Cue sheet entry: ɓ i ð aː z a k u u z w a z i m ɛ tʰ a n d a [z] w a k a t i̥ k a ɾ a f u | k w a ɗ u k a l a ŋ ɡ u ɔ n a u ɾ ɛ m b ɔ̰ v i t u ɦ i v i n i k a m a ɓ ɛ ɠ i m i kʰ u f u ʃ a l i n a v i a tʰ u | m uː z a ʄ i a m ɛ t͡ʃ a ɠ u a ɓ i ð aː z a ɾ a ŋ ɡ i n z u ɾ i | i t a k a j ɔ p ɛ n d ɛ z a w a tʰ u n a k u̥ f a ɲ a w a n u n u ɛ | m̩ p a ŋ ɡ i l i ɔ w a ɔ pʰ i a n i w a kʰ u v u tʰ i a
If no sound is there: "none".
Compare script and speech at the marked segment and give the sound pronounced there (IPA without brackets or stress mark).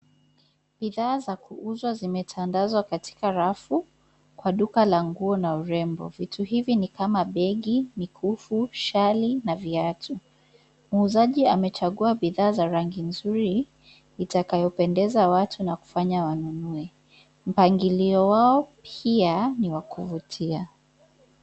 z